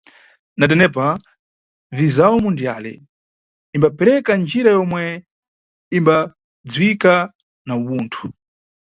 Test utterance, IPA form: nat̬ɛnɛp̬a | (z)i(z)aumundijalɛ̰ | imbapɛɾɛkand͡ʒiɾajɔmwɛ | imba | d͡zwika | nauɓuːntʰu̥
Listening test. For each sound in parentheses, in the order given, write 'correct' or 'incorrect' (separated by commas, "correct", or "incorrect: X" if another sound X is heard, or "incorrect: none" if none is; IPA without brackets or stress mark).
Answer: incorrect: v, correct